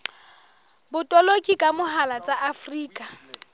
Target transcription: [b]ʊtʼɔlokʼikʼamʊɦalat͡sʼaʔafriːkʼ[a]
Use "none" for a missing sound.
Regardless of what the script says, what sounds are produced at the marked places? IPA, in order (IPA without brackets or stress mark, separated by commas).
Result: b, a